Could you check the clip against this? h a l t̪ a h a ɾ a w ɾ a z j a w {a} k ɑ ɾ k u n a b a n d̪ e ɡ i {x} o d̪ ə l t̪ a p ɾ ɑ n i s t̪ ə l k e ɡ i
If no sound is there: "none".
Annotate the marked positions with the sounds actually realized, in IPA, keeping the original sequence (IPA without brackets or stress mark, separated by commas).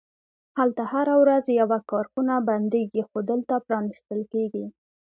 a, x